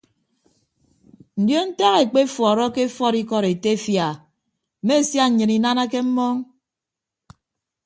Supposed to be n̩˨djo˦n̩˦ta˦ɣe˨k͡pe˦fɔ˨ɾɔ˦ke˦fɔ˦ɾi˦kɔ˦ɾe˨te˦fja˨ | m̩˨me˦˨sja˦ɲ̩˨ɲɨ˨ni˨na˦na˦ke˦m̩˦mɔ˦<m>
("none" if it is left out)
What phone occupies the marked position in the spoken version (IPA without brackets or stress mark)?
ŋ